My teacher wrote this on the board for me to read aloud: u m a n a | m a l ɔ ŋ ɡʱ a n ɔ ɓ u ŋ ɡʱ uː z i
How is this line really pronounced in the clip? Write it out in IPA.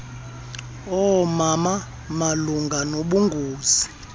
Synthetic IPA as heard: ɔ m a m a | m a l u ŋ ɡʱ a n o ɓ u ŋ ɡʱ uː z i